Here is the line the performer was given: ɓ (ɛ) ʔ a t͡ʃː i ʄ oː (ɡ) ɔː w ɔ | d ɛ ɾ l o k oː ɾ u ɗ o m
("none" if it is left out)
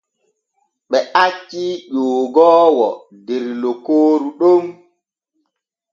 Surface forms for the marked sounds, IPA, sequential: ɛ, ɡ

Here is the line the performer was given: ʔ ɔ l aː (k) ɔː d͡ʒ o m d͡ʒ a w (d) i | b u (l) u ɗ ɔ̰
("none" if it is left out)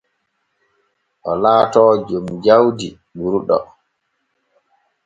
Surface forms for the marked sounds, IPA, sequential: t, d, ɾ

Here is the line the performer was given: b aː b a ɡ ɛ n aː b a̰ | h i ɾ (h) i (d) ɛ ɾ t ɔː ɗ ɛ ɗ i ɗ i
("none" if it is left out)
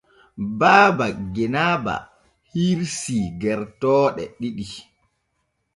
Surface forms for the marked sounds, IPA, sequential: s, ɡ

